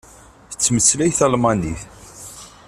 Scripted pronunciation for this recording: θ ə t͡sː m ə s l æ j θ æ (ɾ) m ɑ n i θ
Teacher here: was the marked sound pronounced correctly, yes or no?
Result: no